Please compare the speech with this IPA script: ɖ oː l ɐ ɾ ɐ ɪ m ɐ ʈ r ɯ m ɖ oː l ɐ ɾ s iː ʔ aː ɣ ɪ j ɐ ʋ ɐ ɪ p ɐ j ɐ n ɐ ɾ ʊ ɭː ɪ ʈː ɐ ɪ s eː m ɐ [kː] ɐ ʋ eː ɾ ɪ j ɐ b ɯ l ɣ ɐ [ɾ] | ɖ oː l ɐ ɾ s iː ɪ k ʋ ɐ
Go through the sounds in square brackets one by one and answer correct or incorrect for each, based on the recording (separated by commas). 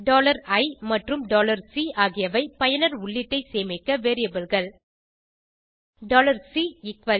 correct, incorrect